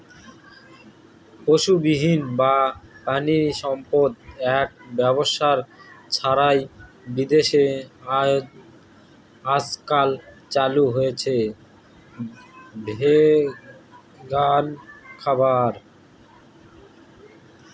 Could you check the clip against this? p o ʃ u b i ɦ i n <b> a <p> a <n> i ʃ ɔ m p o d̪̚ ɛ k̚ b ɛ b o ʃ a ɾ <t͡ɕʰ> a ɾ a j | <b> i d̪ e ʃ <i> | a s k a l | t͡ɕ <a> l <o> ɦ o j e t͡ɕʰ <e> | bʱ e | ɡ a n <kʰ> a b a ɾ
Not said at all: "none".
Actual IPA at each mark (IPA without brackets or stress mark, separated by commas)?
b, p, n, t͡ɕʰ, b, e, a, u, e, kʰ